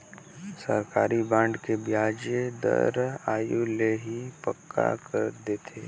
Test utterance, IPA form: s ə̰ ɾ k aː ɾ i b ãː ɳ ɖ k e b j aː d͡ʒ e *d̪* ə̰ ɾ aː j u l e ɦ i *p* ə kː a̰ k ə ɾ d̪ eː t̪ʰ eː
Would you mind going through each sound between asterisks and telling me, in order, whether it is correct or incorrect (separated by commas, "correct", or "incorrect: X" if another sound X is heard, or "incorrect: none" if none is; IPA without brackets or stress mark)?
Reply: correct, correct